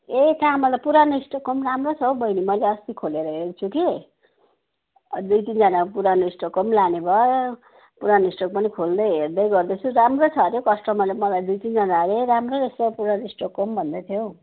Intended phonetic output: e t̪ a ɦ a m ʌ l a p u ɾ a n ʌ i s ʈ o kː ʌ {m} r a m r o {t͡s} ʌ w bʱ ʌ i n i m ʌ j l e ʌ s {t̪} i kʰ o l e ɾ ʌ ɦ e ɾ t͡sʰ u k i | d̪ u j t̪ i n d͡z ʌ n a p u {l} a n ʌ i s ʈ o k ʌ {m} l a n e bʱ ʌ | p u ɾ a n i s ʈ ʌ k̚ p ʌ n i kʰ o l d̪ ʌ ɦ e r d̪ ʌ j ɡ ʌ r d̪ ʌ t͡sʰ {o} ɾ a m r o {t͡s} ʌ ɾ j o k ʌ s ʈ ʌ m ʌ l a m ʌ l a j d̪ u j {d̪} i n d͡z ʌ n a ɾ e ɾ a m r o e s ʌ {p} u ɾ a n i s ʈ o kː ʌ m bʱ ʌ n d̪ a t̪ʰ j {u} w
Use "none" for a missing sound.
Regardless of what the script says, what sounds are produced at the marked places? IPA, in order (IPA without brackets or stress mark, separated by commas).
m, t͡sʰ, t̪, ɾ, m, u, t͡sʰ, t̪, p, o